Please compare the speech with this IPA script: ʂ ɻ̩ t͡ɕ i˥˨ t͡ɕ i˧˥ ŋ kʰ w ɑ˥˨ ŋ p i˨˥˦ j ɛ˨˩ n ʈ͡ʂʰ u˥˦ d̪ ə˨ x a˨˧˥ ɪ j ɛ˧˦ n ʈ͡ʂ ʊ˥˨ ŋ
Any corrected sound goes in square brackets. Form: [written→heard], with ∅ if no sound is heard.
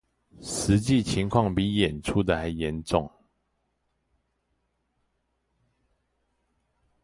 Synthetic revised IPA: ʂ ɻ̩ t͡ɕ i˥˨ [t͡ɕ→t͡ɕʰ] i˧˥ ŋ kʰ w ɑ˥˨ ŋ p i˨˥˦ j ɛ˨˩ n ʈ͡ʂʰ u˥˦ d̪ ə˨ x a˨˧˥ ɪ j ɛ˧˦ n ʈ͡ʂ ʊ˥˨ ŋ